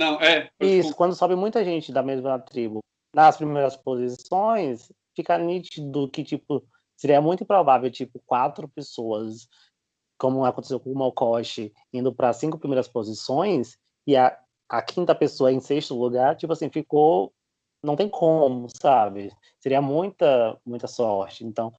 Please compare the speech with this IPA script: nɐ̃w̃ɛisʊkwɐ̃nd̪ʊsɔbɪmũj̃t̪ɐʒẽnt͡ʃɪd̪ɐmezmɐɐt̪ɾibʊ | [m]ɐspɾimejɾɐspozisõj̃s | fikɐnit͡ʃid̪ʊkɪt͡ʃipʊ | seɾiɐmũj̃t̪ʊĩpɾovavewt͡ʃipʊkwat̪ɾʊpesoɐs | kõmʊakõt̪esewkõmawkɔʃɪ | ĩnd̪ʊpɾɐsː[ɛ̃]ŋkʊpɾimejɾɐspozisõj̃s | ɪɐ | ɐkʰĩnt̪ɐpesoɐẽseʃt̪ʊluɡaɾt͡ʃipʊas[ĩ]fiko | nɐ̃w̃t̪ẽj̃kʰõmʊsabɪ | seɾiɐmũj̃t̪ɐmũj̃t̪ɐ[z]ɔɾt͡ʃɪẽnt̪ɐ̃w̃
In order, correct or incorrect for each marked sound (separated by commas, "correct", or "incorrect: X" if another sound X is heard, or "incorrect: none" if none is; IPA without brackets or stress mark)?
incorrect: n, incorrect: ĩ, correct, incorrect: s